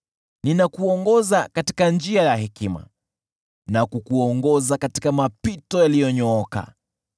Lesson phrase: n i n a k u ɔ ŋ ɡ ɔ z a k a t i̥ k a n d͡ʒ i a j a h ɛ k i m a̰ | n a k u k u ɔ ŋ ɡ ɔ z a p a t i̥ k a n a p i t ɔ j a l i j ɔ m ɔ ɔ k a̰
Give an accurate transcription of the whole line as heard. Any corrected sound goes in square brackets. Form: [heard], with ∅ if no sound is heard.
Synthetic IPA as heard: n i n a k u ɔ ŋ ɡ ɔ z a k a t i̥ k a n d͡ʒ i a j a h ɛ k i m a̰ | n a k u k u ɔ ŋ ɡ ɔ z a [k] a t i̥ k a [m] a p i t ɔ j a l i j ɔ [ɲ] ɔ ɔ k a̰